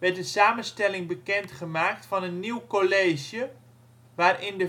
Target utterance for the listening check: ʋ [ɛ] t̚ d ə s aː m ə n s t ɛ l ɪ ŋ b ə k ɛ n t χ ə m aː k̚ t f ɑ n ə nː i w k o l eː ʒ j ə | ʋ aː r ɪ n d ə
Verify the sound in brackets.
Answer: correct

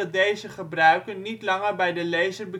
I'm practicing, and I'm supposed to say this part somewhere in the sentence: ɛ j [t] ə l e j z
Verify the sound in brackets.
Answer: incorrect: d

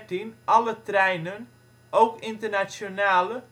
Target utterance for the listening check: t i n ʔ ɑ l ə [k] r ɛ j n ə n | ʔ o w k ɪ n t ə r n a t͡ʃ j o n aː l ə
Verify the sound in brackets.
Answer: incorrect: t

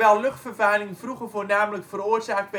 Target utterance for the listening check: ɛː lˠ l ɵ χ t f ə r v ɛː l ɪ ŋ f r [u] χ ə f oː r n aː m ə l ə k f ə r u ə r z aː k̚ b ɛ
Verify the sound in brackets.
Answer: correct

